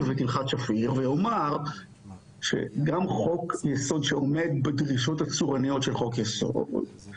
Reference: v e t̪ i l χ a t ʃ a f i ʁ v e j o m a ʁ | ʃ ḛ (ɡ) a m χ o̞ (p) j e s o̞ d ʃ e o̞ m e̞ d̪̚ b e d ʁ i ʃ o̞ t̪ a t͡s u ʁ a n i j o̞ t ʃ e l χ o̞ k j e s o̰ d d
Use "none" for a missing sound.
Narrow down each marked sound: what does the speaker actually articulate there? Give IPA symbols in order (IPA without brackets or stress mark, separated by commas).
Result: ɡ, k